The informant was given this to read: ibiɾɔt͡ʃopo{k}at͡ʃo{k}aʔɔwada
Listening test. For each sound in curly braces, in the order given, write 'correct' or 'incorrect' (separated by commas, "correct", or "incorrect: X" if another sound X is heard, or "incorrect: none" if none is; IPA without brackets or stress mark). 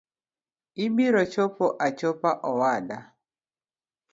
incorrect: ʔ, incorrect: p